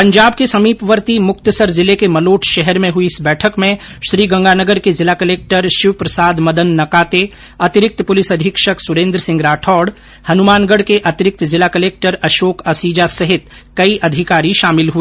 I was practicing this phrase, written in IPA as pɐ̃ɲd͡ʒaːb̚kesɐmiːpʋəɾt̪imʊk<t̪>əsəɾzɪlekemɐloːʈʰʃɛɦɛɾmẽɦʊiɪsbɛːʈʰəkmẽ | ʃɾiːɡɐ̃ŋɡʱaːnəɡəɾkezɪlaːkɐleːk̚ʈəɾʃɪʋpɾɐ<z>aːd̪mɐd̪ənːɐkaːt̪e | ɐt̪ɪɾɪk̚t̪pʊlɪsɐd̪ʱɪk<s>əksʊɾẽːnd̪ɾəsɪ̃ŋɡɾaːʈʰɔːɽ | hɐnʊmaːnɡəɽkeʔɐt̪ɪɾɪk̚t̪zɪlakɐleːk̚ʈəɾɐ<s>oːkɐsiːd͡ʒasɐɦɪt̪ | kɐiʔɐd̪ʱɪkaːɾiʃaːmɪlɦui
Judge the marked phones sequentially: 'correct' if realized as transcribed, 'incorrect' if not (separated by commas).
correct, incorrect, incorrect, incorrect